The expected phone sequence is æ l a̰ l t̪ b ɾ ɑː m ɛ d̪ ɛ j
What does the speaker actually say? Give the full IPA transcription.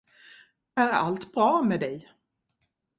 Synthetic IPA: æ ɾ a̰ l t̪ b ɾ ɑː m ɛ d̪ ɛ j

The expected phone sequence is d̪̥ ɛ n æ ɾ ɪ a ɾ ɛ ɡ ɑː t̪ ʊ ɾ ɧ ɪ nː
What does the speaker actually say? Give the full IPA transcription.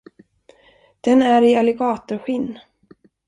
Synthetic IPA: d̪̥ ɛ n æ ɾ ɪ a l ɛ ɡ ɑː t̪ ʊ ɾ ɧ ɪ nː

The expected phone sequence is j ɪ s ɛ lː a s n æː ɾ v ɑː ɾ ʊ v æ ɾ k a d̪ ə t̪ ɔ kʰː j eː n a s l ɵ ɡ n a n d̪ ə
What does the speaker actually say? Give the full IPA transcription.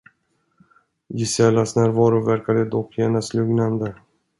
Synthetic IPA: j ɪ s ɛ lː a s n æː ɾ v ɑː ɾ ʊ v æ ɾ k a d̪ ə d̪ ɔ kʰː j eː n a s l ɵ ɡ n a n d̪ ə

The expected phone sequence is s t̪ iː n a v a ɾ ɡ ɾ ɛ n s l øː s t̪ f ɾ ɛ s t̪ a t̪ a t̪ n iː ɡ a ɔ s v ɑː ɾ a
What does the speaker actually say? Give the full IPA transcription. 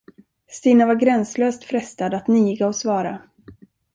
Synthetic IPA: s t̪ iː n a v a ɾ ɡ ɾ ɛ n s l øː s t̪ f ɾ ɛ s t̪ a d̪ a t̪ n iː ɡ a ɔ s v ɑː ɾ a

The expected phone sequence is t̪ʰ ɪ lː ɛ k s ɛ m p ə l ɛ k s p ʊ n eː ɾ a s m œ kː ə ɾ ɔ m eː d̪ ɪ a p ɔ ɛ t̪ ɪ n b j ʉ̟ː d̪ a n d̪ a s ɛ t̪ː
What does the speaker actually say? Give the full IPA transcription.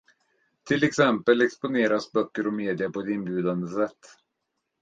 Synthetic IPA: t̪ʰ ɪ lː ɛ k s ɛ m p ə l ɛ k s p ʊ n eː ɾ a s b œ kː ə ɾ ɔ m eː d̪ ɪ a p ɔ ɛ t̪ ɪ n b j ʉ̟ː d̪ a n d̪ ə s ɛ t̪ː

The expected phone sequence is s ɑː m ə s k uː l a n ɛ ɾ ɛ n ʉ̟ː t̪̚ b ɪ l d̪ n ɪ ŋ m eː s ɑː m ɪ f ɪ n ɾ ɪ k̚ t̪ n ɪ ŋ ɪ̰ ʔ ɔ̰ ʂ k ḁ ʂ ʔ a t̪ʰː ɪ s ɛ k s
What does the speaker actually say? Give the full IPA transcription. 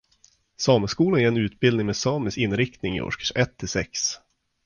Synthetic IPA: s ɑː m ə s k uː l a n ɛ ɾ ɛ n ʉ̟ː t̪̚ b ɪ l d̪ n ɪ ŋ m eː s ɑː m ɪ s ɪ n ɾ ɪ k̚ t̪ n ɪ ŋ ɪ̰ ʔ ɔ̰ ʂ k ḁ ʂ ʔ ɛ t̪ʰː ɪ s ɛ k s

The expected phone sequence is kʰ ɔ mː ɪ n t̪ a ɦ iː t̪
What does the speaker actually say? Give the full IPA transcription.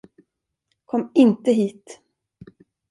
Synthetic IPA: kʰ ɔ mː ɪ n t̪ ə ɦ iː t̪

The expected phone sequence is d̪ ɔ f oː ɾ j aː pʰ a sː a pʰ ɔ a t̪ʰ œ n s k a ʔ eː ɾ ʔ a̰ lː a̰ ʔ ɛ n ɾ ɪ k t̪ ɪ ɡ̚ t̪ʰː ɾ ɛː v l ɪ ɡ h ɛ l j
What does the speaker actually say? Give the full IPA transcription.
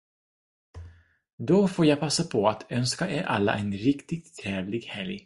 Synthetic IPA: d̪ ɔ f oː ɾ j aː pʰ a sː a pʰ ɔ a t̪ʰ œ n s k a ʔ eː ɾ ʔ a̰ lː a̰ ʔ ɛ n ɾ ɪ k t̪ ɪ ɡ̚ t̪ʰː ɾ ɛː v l ɪ ɡ h ɛ l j

